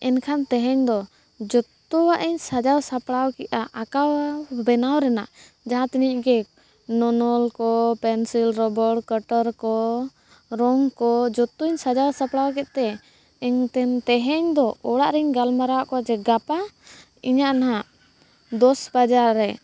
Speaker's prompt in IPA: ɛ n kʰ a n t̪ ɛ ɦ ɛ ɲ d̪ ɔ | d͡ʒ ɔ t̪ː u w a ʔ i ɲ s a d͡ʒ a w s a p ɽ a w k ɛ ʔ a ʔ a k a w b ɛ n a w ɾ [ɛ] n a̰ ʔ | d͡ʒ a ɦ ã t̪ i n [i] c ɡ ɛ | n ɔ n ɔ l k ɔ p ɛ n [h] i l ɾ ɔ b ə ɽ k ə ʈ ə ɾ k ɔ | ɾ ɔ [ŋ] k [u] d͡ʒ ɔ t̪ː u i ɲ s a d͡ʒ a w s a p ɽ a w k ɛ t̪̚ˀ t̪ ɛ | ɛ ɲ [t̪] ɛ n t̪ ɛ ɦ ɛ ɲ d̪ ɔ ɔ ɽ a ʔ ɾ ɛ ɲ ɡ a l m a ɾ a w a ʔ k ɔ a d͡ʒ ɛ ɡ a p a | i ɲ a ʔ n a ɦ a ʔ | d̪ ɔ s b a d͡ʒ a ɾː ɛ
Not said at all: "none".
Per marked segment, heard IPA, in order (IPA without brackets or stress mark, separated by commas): ɛ, i, s, ŋ, ɔ, t̪